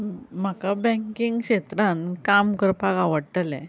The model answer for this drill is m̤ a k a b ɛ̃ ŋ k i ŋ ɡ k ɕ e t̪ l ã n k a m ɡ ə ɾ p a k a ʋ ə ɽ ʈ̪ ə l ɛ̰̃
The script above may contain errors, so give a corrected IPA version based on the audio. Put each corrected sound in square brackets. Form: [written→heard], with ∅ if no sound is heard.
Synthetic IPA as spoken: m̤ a k a b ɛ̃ ŋ k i ŋ ɡ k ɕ e t̪ [l→ɾ] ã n k a m [ɡ→k] ə ɾ p a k a ʋ ə ɽ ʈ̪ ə l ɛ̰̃